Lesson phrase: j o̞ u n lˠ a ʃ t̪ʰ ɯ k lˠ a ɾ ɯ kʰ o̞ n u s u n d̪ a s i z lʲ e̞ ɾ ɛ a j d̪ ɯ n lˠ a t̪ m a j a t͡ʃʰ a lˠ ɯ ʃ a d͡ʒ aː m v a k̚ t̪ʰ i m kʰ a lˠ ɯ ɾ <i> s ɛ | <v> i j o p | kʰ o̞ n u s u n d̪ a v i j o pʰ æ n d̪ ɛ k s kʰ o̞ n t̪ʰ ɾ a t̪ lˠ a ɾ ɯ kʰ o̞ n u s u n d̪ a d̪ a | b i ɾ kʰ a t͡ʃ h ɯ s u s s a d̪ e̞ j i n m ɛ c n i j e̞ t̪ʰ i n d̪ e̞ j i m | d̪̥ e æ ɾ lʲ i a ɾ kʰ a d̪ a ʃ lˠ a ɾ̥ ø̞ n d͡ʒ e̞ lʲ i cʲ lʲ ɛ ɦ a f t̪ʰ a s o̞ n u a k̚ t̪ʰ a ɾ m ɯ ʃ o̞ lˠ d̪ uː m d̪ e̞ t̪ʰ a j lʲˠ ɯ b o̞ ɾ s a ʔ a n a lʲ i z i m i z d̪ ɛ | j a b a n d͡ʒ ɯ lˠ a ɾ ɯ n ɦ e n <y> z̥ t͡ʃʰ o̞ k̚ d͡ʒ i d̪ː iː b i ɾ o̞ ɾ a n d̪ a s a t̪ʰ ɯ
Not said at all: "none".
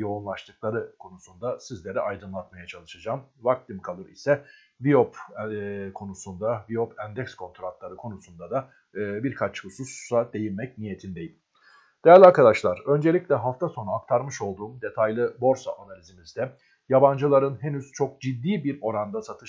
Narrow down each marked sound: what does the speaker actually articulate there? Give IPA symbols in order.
i, v, y

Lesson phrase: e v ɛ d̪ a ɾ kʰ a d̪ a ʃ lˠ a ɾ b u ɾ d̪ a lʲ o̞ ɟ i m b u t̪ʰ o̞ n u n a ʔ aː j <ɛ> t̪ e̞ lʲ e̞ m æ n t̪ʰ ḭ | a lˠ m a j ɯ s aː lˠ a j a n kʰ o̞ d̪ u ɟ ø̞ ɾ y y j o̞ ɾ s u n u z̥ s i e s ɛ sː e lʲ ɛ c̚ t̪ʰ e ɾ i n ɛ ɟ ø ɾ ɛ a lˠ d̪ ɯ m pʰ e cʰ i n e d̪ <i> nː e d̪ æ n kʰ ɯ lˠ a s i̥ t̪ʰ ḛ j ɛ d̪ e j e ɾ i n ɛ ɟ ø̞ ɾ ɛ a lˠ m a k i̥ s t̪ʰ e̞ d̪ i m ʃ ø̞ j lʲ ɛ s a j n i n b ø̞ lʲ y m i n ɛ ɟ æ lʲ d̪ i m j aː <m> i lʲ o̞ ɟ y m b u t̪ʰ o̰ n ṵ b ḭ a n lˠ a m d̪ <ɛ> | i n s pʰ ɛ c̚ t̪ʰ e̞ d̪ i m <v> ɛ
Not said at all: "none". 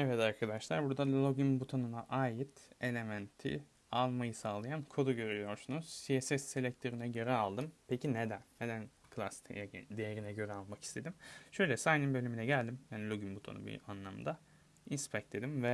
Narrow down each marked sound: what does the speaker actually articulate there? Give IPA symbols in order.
i, æ, n, a, v

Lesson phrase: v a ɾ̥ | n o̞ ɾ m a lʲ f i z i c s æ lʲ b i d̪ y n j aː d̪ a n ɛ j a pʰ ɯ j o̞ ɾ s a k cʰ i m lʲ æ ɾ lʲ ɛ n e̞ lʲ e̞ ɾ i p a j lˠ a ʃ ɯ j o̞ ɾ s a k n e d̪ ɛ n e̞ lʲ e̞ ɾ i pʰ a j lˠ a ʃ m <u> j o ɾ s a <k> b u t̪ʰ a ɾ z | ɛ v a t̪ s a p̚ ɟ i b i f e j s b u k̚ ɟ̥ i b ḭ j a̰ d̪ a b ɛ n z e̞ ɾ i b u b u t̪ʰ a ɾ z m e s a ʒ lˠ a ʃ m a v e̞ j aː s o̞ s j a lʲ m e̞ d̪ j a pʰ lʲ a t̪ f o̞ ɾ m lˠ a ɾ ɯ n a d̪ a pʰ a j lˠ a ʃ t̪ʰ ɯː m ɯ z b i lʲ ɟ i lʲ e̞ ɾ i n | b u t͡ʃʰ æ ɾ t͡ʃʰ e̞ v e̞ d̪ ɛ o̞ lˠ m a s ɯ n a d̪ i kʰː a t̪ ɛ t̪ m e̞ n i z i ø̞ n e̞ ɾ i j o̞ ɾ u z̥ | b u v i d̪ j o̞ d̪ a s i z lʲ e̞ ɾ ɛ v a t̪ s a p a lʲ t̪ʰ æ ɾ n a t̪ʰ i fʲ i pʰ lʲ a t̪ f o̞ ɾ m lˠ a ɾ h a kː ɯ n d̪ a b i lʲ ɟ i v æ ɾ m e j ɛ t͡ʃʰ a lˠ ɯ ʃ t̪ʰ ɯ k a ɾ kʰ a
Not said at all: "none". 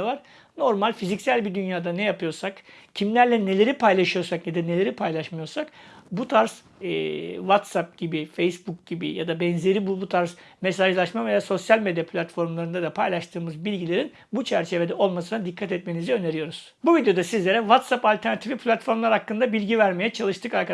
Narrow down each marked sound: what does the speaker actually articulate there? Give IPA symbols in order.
ɯ, k

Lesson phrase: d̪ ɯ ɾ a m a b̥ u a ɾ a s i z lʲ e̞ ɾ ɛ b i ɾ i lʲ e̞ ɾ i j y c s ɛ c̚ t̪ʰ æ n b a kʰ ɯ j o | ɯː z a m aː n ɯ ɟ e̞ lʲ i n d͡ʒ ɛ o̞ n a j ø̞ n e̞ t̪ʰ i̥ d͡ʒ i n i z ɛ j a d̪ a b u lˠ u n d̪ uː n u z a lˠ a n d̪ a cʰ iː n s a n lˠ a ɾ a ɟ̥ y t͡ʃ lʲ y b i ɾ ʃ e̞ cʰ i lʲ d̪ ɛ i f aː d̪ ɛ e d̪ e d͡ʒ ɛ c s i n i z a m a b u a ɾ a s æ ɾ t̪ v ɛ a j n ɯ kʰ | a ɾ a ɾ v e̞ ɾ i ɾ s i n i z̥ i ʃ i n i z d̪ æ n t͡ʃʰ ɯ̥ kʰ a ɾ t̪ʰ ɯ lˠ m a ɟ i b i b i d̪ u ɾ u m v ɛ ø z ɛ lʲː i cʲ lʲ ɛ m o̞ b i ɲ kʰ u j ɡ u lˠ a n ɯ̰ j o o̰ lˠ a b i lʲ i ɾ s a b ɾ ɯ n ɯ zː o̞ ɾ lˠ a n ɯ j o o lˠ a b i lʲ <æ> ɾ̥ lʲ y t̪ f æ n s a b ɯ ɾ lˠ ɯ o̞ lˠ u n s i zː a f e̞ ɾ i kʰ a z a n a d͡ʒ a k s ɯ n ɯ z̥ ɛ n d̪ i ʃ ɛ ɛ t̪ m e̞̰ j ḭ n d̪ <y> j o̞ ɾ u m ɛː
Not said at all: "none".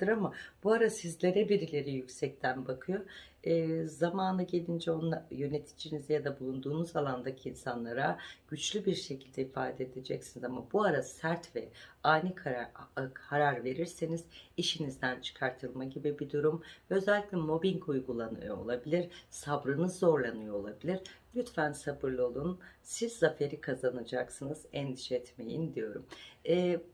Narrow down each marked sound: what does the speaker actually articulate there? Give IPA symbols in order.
i, i

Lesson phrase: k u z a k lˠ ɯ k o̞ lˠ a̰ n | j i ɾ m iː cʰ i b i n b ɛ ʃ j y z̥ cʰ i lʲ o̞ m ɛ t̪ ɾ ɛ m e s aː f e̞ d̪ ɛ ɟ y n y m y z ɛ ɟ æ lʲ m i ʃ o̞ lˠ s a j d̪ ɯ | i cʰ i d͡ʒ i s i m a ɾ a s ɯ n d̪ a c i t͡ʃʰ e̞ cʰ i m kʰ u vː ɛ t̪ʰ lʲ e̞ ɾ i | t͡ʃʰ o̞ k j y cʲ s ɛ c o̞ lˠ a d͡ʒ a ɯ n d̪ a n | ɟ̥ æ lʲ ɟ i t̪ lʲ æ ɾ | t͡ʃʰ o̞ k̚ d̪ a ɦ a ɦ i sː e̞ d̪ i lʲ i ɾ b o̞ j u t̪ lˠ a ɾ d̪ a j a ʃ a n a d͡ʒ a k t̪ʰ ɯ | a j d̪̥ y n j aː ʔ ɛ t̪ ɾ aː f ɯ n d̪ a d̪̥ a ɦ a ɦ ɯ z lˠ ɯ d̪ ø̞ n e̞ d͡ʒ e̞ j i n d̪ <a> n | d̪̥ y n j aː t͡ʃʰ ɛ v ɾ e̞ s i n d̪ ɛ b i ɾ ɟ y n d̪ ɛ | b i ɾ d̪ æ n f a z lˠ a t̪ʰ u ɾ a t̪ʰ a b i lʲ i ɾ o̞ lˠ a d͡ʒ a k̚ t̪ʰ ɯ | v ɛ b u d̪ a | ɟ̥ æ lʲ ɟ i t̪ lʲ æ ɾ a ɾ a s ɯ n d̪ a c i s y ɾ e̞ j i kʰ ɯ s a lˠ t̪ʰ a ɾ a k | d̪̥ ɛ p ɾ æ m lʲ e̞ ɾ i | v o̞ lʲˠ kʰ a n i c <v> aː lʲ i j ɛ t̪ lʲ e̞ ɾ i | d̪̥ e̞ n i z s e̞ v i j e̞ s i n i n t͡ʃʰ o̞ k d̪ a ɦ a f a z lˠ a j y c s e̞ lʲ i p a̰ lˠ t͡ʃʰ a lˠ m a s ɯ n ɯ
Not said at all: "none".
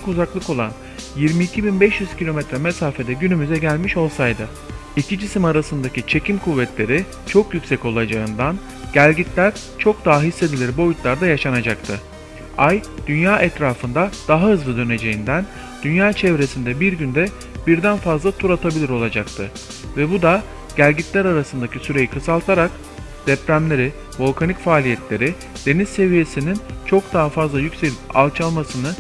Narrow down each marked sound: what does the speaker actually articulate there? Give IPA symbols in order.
æ, f

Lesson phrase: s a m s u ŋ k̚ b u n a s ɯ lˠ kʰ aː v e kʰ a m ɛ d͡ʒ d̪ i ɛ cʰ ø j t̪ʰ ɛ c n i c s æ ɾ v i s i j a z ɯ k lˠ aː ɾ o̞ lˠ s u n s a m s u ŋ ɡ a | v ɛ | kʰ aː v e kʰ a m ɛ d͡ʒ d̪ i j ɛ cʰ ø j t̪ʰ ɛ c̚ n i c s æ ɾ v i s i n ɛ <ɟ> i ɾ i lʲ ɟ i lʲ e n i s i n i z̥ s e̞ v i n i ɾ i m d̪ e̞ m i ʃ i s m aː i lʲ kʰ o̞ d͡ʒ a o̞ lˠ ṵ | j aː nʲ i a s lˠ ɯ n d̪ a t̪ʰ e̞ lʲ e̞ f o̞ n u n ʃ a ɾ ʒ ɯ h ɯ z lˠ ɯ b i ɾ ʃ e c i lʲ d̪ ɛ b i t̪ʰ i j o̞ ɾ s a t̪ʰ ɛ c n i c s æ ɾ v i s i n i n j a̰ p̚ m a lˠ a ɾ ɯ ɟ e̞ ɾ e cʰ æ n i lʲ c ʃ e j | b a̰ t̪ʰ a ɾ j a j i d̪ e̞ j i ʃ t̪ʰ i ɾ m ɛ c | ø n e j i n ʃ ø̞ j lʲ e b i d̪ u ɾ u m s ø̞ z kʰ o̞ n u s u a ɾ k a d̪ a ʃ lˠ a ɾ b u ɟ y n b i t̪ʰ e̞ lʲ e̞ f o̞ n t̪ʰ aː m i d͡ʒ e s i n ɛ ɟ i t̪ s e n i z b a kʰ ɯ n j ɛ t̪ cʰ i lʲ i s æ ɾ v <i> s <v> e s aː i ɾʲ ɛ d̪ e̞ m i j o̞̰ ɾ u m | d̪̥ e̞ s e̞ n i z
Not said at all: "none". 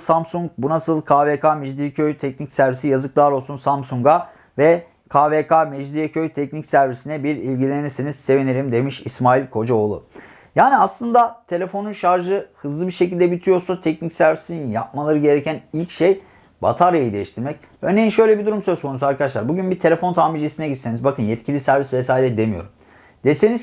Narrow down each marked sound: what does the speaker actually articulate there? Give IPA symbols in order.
b, i, v

